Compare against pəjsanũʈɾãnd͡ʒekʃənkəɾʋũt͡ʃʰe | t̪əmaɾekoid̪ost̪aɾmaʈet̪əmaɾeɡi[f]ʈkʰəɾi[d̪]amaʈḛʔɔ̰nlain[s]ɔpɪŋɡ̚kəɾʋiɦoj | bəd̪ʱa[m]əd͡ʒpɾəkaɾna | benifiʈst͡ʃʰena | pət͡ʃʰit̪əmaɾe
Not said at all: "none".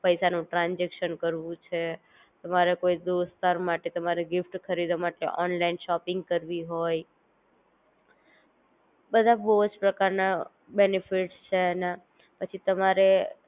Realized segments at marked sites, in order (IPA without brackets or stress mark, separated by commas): f, d̪, ʃ, b